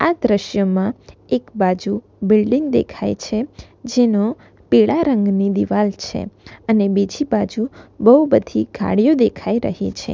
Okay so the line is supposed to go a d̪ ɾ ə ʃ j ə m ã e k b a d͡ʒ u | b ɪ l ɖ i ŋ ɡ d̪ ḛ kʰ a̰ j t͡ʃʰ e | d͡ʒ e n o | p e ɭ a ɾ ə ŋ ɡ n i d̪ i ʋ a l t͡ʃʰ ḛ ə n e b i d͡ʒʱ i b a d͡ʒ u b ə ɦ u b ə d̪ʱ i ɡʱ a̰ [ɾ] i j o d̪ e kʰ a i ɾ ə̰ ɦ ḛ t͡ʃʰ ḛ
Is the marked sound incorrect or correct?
incorrect